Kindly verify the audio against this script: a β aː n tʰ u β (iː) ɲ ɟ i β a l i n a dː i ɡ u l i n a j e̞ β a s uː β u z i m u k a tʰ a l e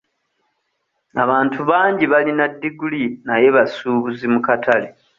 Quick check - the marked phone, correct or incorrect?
incorrect: aː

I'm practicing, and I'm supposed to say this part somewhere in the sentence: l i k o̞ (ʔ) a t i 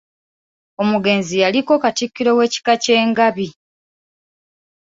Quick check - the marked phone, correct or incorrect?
incorrect: k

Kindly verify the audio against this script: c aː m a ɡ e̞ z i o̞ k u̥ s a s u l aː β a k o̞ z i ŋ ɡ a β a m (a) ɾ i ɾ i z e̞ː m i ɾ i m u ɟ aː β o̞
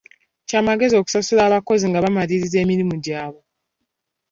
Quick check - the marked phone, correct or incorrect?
correct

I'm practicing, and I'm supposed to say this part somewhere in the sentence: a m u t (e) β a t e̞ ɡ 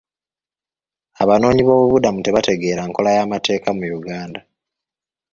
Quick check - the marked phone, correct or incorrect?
correct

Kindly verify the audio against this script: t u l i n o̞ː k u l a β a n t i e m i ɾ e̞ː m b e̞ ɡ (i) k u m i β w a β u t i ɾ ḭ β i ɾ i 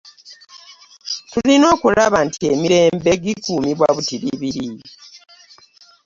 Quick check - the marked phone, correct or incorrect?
correct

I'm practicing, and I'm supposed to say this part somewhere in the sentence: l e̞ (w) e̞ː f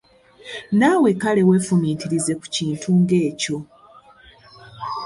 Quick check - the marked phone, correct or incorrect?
correct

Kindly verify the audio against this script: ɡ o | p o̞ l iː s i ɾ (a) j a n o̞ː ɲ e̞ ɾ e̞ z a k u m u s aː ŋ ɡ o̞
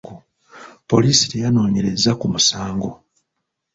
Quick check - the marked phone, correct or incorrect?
incorrect: e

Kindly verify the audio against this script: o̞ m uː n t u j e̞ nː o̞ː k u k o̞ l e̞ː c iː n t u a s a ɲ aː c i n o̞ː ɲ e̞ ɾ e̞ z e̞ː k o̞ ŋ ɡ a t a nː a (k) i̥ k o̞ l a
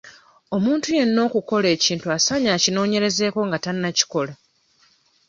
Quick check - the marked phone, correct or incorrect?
incorrect: c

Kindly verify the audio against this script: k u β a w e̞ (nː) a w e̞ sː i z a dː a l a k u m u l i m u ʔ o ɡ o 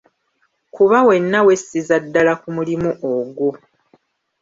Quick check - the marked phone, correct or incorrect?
correct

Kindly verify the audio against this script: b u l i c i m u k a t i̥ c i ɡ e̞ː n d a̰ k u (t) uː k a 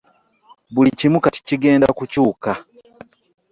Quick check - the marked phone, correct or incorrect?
incorrect: c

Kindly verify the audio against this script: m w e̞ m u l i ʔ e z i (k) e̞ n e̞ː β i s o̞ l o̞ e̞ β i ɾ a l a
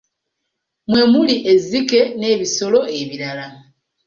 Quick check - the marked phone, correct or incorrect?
correct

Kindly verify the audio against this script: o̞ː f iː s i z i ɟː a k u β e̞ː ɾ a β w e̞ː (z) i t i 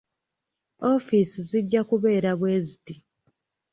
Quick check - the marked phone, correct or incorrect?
correct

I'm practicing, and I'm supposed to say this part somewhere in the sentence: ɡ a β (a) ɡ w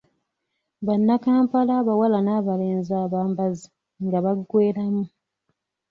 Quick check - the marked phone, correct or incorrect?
correct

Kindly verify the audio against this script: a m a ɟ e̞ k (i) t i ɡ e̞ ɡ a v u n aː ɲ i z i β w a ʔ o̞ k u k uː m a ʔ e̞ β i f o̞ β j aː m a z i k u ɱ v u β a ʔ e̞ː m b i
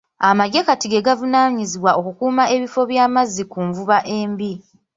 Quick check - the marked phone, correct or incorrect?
incorrect: a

